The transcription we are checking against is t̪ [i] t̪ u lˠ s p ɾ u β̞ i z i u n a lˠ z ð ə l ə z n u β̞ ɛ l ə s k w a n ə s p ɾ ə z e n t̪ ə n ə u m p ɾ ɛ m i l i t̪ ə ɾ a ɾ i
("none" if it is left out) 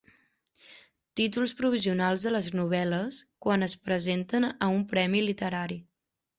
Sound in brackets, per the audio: i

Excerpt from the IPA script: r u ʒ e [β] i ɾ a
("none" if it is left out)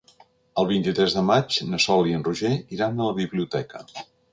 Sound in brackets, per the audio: none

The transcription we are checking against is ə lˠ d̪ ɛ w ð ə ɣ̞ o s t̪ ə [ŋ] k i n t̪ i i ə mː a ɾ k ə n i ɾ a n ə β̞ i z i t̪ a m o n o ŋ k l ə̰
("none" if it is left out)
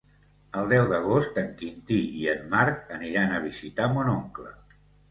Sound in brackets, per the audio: ŋ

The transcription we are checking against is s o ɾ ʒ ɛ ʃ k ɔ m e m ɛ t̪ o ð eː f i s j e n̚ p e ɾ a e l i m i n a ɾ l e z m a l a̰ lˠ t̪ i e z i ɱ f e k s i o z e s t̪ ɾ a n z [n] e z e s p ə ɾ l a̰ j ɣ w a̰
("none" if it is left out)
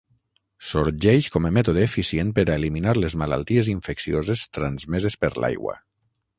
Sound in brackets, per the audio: m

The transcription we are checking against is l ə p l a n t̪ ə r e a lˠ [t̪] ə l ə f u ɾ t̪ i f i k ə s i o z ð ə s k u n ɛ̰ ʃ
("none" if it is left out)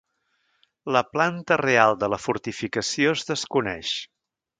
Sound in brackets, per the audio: d̪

